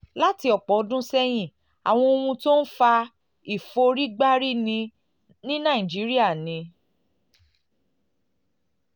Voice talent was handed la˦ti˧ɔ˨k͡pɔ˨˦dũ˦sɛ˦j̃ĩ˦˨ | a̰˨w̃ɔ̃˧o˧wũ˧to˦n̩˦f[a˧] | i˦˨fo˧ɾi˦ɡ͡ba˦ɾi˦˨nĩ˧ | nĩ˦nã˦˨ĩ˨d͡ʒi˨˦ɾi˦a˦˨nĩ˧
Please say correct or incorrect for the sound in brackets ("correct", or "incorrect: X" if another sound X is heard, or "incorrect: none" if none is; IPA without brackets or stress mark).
correct